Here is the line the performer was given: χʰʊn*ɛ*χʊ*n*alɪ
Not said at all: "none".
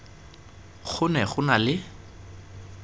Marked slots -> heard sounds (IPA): ɛ, n

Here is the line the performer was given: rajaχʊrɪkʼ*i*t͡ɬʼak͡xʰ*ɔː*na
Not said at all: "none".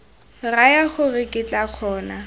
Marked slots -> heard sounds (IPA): ɪ, ɔː

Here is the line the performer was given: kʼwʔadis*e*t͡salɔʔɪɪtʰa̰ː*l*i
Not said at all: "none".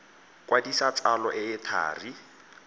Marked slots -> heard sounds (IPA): a, r

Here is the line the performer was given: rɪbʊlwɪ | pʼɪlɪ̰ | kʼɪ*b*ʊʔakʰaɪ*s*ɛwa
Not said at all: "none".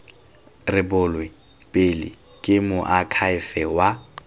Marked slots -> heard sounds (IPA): m, f

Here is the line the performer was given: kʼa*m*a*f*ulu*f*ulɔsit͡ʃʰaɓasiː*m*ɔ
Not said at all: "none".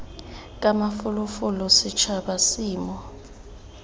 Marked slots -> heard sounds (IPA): m, f, f, m

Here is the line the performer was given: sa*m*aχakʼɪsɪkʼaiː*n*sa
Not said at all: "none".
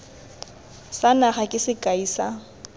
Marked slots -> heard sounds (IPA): n, none

